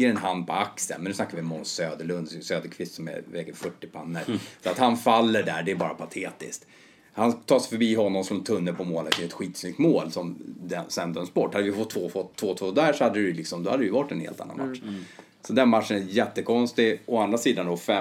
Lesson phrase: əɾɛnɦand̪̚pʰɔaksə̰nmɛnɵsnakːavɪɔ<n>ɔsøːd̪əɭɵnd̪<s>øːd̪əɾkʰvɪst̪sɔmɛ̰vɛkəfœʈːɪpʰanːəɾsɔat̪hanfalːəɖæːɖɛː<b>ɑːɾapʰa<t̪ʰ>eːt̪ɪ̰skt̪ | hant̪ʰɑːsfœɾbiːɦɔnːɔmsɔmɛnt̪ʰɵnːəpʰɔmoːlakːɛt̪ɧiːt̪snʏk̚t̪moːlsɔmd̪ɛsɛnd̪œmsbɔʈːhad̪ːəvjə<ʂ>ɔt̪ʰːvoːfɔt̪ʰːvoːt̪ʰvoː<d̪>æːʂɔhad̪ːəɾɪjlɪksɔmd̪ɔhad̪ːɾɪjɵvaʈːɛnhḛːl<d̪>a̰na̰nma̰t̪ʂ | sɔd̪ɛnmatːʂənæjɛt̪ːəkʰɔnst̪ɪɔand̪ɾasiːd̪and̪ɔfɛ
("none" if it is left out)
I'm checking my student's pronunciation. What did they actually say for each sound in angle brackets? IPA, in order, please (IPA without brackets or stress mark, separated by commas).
m, s, b, t̪ʰ, f, d̪, t̪